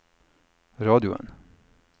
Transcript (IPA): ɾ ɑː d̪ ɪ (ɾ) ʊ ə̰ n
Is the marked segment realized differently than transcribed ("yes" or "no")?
yes